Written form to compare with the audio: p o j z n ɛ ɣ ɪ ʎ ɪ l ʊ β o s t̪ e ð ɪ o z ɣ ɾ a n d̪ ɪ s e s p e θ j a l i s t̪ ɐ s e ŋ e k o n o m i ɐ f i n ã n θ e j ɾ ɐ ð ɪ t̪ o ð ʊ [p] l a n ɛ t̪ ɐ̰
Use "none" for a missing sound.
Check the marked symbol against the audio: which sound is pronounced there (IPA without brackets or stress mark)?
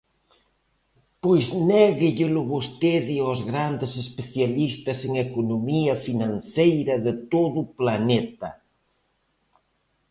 p